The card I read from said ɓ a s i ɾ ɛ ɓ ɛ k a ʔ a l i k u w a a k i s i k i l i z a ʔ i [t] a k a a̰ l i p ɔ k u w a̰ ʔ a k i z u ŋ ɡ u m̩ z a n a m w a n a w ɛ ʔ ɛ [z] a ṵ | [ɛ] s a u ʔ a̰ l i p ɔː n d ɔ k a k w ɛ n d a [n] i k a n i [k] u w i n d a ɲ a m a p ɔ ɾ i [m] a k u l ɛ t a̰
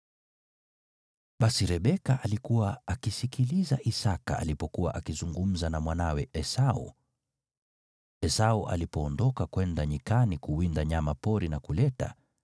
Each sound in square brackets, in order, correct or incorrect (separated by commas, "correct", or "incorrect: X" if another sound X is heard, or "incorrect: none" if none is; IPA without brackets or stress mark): incorrect: s, incorrect: s, correct, incorrect: ɲ, correct, incorrect: n